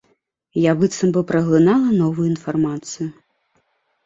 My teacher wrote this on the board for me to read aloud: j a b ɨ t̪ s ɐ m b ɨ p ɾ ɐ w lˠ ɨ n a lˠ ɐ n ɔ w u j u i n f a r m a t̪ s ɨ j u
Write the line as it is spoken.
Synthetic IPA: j a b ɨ t̪ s ɐ m b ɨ p ɾ ɐ ɣ lˠ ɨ n a lˠ ɐ n ɔ v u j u i n f a r m a t̪ s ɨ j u